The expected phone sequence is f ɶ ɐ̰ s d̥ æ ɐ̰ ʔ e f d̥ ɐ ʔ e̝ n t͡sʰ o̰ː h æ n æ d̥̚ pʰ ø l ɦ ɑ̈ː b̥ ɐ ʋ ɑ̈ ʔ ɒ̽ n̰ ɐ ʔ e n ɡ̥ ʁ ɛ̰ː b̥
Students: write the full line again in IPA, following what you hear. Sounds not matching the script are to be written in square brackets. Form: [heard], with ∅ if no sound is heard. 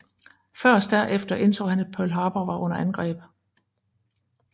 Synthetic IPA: f ɶ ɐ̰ s d̥ æ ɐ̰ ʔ e f d̥ ɐ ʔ e̝ n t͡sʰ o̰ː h æ n æ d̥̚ pʰ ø l ɦ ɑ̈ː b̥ ɐ ʋ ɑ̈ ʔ [ɔ̽] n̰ ɐ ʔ [æ] n ɡ̥ ʁ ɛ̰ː b̥

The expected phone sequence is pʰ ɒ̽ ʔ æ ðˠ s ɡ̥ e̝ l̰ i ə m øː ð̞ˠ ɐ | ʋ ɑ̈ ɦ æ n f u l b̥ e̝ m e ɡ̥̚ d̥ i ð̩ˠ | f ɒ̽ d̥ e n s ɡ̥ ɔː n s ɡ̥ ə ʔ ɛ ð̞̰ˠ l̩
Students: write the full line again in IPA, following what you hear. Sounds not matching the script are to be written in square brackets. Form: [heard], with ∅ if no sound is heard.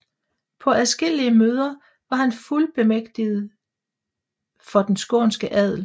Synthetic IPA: pʰ ɒ̽ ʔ æ ðˠ s ɡ̥ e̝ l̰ i ə m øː ð̞ˠ ɐ | ʋ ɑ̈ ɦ æ n f u l b̥ e̝ m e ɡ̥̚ d̥ i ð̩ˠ | f ɒ̽ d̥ e n s ɡ̥ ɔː n s ɡ̥ ə ʔ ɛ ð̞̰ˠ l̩

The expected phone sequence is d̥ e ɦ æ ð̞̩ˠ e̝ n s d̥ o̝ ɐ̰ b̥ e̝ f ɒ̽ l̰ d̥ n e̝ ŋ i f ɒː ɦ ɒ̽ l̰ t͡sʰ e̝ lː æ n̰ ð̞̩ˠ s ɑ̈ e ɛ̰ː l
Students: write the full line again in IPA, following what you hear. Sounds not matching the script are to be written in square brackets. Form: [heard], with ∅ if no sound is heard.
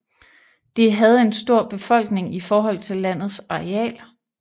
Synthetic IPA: d̥ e ɦ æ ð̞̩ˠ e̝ n s d̥ o̝ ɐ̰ b̥ e̝ f ɒ̽ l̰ [ɡ̥] n e̝ ŋ i f ɒː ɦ ɒ̽ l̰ t͡sʰ e̝ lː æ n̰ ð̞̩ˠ s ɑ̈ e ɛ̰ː l

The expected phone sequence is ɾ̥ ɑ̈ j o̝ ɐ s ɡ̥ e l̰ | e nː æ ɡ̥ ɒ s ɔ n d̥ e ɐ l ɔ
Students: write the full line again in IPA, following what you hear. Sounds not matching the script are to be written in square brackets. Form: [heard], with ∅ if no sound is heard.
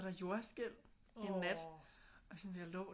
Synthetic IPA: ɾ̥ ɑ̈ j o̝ ɐ s ɡ̥ e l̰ | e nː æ [d̥] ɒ s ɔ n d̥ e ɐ l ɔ

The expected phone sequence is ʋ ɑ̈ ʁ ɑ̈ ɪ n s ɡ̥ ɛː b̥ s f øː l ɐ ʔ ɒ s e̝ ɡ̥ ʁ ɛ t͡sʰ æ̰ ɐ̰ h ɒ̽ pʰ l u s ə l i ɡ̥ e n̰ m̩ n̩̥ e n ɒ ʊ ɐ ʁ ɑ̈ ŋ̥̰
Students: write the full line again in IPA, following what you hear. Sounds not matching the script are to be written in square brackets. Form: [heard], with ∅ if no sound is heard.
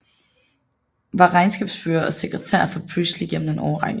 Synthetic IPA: ʋ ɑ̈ ʁ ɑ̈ ɪ n s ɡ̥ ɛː b̥ s f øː [∅] ɐ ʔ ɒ s e̝ ɡ̥ ʁ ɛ t͡sʰ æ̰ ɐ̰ [f] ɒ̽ pʰ l u s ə l i ɡ̥ e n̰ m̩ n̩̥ e n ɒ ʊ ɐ ʁ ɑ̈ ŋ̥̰

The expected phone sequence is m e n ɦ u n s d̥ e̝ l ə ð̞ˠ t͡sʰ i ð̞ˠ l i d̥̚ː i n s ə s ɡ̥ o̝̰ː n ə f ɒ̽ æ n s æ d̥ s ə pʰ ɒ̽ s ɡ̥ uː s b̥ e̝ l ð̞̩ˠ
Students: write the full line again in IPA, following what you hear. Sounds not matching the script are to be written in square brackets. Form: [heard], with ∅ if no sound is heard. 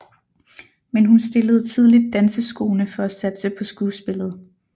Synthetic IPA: m e n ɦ u n s d̥ e̝ l ə ð̞ˠ t͡sʰ i ð̞ˠ l i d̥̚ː [æ] n s ə s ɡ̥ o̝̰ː n ə f ɒ̽ æ [∅] s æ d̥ s ə pʰ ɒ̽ s ɡ̥ uː s b̥ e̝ l ð̞̩ˠ

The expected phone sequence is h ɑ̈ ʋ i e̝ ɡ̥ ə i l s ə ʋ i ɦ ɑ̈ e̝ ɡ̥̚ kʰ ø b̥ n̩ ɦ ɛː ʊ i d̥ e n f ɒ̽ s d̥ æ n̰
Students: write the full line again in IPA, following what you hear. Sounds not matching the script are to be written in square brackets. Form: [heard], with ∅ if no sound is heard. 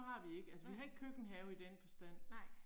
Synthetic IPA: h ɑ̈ ʋ i e̝ ɡ̥ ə [æ] l s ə ʋ i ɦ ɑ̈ e̝ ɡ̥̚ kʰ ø [ɡ̥] n̩ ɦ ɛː ʊ i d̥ e n f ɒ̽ s d̥ æ n̰

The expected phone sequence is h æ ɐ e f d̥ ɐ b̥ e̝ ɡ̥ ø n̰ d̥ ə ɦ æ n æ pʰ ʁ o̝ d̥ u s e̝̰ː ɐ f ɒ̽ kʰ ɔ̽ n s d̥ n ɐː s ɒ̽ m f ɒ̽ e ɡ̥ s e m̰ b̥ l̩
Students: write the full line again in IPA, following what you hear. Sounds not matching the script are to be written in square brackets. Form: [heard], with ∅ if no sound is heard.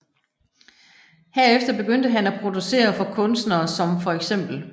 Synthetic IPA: h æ ɐ e f d̥ ɐ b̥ e̝ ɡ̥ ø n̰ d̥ ə ɦ æ n æ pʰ ʁ o̝ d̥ u s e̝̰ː ɐ f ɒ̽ kʰ ɔ̽ n s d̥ n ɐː s ɒ̽ m f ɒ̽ e ɡ̥ s e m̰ b̥ l̩

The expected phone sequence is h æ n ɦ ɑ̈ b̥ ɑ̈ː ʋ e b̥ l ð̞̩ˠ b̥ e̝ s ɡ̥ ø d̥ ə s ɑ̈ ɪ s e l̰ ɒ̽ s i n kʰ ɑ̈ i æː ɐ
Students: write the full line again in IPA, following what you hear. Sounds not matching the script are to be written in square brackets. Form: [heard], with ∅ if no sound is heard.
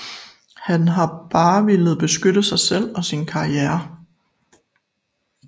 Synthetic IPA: h æ n ɦ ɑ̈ b̥ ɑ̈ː ʋ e [∅] l ð̞̩ˠ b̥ e̝ s ɡ̥ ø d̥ ə s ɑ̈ ɪ s e l̰ ɒ̽ s i n kʰ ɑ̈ i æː ɐ

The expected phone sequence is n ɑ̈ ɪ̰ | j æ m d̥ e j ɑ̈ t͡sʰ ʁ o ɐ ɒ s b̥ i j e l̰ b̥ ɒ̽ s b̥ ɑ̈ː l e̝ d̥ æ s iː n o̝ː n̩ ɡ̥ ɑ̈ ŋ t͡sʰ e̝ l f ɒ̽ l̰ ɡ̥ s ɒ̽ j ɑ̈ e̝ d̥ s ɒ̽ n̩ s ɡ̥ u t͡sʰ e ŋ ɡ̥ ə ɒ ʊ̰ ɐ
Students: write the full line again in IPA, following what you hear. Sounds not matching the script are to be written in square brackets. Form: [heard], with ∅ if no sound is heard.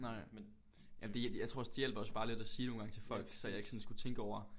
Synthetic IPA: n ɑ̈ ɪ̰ | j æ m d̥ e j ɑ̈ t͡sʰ ʁ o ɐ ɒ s [d̥] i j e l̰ b̥ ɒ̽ s b̥ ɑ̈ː l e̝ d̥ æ s iː n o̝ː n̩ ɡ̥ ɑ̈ ŋ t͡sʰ e̝ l f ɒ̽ l̰ ɡ̥ s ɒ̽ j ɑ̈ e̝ [ɡ̥] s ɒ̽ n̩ s ɡ̥ u t͡sʰ e ŋ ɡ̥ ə ɒ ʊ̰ ɐ

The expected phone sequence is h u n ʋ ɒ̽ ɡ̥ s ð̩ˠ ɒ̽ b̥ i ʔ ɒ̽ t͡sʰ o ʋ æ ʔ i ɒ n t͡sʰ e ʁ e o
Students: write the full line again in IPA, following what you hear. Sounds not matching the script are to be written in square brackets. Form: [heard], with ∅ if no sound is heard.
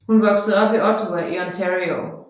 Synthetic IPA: h u n ʋ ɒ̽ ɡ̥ s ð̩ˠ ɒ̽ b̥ i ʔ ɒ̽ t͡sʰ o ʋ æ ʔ i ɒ n t͡sʰ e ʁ [i] o

